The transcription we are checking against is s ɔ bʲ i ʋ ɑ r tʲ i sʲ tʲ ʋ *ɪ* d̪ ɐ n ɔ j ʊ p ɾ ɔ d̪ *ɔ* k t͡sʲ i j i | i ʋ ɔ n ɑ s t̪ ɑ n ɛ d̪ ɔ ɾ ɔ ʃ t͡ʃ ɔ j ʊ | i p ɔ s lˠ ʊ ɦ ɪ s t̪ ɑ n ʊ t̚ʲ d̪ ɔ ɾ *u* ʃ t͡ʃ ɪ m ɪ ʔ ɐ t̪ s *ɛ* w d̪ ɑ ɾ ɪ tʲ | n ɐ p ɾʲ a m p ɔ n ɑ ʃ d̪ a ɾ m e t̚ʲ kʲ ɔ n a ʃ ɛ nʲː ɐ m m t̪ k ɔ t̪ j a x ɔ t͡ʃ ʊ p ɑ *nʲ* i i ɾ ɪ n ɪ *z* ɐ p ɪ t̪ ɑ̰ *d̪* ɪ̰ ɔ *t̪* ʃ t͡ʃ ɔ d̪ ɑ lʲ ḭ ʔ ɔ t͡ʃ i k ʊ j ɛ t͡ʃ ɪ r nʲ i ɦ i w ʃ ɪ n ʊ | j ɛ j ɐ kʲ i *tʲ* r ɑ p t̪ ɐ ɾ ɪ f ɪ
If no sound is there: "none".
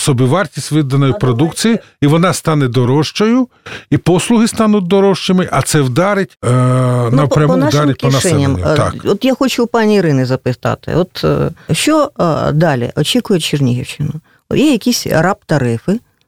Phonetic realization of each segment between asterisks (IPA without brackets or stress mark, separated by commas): ɪ, u, ɔ, ɛ, nʲ, z, t̪, t̪, sʲ